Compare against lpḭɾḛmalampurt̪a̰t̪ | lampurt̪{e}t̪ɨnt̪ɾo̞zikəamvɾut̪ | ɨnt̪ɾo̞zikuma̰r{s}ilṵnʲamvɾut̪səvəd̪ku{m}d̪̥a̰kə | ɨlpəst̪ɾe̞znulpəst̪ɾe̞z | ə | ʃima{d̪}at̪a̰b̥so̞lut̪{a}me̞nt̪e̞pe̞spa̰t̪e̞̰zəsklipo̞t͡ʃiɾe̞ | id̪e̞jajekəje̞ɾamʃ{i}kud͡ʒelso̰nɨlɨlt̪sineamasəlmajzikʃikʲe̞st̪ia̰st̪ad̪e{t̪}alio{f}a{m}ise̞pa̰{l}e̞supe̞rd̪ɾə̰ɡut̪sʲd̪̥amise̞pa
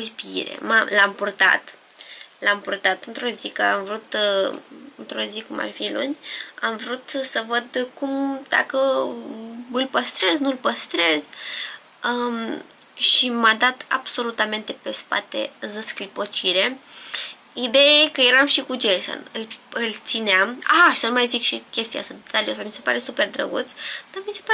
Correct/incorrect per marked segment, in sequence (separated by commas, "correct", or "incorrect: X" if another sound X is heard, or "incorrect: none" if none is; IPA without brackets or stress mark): incorrect: a, incorrect: f, correct, correct, correct, correct, correct, incorrect: s, correct, incorrect: ɾ